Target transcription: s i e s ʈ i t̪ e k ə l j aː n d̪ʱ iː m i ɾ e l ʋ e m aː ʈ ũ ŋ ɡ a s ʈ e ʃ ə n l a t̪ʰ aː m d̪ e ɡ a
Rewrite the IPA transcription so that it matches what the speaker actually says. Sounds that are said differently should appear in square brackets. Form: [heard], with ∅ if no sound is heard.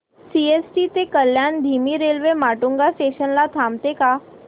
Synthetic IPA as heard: s i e s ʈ i t̪ e k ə l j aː n d̪ʱ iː m i ɾ e l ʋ e m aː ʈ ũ ŋ ɡ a s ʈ e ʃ ə n l a t̪ʰ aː m [t̪] e [k] a